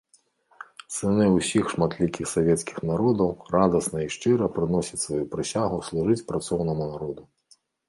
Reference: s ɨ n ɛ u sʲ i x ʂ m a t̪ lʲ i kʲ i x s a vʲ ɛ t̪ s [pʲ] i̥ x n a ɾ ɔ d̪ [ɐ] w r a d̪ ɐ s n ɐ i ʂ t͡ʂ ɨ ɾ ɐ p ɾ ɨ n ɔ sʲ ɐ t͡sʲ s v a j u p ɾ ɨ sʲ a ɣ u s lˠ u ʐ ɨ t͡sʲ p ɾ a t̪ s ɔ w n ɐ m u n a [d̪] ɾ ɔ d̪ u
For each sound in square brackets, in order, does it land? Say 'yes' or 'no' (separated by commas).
no, yes, no